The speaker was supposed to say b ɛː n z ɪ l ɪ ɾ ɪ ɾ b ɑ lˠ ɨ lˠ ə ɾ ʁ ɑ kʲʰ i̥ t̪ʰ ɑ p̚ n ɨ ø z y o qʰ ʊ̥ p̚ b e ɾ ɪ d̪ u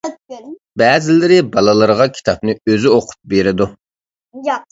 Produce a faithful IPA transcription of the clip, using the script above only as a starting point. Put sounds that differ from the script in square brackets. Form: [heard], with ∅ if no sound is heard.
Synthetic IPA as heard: b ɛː [∅] z ɪ l ɪ ɾ ɪ [∅] b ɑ lˠ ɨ lˠ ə ɾ ʁ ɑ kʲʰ i̥ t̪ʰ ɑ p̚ n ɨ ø z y o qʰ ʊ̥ p̚ b e ɾ ɪ d̪ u